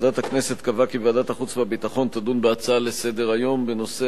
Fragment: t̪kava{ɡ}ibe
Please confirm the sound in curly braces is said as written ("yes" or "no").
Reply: no